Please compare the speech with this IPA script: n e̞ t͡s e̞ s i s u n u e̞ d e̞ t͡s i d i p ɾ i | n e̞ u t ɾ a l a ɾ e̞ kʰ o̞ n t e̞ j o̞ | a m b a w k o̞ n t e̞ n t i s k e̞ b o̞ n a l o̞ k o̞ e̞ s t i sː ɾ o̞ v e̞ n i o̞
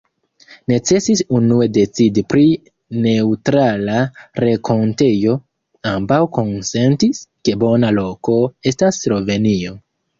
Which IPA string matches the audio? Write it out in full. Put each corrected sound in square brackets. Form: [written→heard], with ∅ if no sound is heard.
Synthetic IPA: n e̞ t͡s e̞ s i s u n u e̞ d e̞ t͡s i d i p ɾ i | n e̞ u t ɾ a l a ɾ e̞ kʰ o̞ n t e̞ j o̞ | a m b a w k o̞ n [t→s] e̞ n t i s k e̞ b o̞ n a l o̞ k o̞ e̞ s t [i→a] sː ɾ o̞ v e̞ n i o̞